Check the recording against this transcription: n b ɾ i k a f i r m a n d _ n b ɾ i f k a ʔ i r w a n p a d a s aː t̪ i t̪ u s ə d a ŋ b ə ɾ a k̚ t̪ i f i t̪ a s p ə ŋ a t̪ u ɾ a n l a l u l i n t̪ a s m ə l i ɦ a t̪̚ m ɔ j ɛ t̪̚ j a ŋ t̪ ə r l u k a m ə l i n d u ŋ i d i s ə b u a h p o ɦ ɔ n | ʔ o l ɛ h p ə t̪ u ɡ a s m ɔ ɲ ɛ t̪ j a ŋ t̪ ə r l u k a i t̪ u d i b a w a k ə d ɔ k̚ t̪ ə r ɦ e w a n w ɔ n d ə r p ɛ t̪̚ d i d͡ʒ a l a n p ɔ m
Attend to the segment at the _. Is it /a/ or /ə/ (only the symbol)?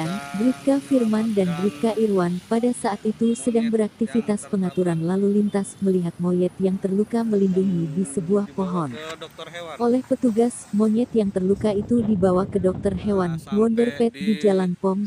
a